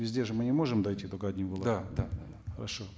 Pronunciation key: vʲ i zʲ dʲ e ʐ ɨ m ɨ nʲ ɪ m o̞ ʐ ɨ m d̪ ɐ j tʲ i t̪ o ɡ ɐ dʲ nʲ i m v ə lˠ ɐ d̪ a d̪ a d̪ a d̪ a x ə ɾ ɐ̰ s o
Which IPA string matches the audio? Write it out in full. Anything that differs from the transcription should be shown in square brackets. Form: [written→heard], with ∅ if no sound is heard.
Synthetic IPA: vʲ [i→ɪ] zʲ dʲ e ʐ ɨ m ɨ nʲ ɪ m o̞ ʐ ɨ m d̪ ɐ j tʲ i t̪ o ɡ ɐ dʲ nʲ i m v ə lˠ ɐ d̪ a d̪ a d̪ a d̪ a x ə ɾ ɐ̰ [s→ʂ] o